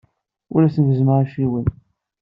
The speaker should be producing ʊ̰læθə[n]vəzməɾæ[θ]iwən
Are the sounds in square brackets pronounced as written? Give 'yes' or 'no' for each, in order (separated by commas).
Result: yes, no